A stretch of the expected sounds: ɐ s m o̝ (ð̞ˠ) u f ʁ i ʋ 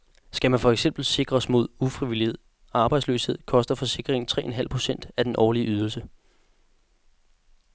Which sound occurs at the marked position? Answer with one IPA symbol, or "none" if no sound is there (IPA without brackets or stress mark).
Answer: ð̞ˠ